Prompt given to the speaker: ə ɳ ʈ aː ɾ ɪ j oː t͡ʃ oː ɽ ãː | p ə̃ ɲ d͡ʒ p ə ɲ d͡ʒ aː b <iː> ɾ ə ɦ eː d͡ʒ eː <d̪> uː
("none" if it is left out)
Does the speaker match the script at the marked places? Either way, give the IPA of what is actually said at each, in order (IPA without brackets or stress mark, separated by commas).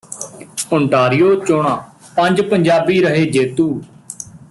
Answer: iː, t̪